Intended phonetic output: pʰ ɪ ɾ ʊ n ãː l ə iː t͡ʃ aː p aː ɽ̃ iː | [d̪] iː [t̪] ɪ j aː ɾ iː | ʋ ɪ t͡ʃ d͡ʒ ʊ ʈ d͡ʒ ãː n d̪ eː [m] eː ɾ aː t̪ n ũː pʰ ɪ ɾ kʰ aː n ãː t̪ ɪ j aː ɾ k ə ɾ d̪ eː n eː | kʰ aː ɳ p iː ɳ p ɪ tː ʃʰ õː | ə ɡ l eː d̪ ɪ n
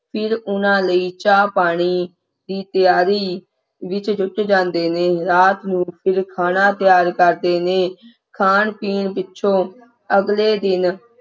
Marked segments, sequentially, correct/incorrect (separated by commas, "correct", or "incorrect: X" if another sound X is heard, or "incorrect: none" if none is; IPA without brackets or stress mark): correct, correct, incorrect: n